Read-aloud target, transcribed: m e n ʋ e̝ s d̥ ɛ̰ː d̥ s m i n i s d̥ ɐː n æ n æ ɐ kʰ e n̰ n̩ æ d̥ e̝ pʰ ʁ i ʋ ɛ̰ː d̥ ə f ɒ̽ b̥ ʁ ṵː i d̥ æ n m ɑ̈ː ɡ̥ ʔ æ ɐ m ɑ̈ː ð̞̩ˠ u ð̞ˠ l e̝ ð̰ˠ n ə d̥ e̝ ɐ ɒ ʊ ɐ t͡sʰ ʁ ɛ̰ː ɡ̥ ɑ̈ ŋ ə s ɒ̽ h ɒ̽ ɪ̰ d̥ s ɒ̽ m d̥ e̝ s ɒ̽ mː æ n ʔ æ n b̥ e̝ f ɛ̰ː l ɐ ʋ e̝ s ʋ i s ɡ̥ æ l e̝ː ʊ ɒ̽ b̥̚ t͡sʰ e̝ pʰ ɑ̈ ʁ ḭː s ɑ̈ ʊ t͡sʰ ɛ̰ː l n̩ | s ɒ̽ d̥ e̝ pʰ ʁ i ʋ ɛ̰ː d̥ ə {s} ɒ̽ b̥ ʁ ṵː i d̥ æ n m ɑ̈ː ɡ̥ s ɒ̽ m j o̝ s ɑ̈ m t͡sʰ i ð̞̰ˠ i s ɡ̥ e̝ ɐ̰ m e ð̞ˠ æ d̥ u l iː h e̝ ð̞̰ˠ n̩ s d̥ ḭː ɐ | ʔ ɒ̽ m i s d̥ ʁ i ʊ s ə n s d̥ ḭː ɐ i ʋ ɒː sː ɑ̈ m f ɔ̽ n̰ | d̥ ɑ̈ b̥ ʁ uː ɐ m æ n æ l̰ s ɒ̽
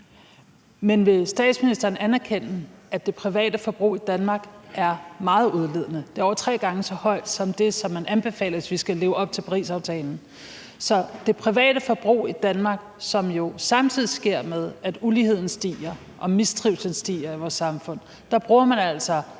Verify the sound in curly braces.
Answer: incorrect: f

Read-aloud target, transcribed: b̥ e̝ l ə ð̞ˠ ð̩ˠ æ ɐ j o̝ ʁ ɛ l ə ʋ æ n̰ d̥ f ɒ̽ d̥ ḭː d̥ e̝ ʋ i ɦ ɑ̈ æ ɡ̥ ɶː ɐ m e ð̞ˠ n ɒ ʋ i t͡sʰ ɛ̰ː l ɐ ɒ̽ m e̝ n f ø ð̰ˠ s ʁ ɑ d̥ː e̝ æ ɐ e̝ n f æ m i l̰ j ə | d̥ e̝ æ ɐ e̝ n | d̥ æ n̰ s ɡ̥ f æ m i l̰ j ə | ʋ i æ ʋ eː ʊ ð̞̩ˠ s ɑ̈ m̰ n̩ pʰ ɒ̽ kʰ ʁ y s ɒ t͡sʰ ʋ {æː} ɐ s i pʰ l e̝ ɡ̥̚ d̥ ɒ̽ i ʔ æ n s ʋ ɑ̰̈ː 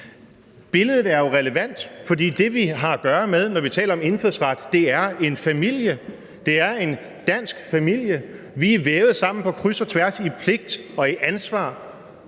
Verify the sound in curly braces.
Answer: incorrect: æ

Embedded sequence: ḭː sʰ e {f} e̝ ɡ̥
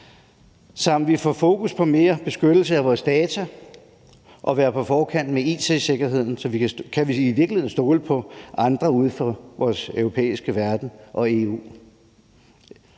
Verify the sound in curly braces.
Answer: incorrect: s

